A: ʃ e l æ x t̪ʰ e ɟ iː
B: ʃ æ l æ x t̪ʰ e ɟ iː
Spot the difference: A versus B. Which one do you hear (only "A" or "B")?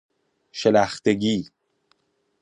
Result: A